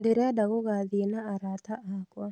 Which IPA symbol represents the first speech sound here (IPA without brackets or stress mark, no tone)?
d